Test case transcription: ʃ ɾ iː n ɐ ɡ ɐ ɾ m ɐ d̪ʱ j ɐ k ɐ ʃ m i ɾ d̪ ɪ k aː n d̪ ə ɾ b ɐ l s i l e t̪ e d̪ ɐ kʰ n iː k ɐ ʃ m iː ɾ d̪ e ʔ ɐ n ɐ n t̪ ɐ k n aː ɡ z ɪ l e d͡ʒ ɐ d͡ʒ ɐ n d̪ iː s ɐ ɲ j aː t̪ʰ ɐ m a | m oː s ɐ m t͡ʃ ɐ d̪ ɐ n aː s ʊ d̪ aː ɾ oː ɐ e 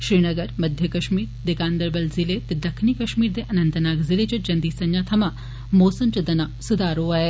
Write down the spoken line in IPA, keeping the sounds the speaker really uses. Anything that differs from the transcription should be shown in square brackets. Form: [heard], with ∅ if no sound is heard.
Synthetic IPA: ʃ ɾ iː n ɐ ɡ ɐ ɾ m ɐ d̪ʱ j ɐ k ɐ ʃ m [iː] ɾ d̪ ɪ k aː n d̪ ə ɾ b ɐ l [z] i l e t̪ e d̪ ɐ kʰ n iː k ɐ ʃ m iː ɾ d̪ e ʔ ɐ n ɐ n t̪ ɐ [∅] n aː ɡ z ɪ l e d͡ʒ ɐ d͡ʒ ɐ n d̪ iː s ɐ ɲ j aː t̪ʰ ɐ m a | m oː s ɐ m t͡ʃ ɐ d̪ ɐ n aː s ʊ d̪ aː ɾ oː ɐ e